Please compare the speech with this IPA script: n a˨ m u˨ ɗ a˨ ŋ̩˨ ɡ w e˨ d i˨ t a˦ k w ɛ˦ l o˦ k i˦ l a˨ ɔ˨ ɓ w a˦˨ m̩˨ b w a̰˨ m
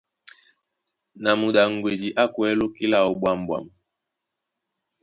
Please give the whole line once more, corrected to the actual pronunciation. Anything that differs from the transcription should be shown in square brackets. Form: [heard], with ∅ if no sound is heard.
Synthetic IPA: n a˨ m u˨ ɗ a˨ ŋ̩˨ ɡ w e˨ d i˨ [ʔ] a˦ k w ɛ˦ l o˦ k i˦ l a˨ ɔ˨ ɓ w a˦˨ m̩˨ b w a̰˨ m